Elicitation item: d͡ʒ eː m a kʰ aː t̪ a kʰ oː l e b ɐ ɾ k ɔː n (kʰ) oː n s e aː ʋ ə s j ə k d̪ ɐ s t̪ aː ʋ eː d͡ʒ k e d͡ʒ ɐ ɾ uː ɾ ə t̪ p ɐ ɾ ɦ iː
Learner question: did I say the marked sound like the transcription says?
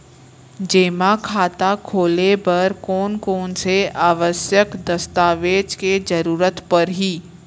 no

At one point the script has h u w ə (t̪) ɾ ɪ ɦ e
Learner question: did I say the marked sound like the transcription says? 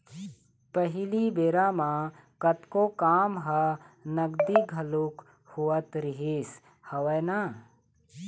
yes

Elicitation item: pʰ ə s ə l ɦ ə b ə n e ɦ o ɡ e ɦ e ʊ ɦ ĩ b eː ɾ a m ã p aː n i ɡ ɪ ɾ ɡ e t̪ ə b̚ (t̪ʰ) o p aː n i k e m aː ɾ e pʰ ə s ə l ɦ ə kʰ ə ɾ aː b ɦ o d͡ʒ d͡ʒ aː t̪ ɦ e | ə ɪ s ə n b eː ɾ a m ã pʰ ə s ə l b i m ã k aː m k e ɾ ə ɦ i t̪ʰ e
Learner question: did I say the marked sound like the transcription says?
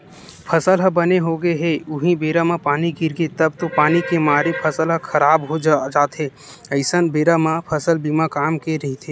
no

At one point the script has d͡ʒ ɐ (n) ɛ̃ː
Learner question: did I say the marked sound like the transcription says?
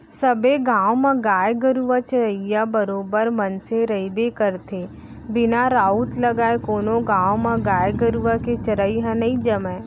no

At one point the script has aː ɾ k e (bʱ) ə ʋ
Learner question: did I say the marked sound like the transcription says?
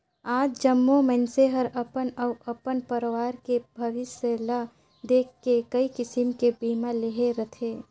yes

